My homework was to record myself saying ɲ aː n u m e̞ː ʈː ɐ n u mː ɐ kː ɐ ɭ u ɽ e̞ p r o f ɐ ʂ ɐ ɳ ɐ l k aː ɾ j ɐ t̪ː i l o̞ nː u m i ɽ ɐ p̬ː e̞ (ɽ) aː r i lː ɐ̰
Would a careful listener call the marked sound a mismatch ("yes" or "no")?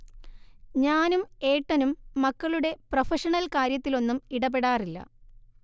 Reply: no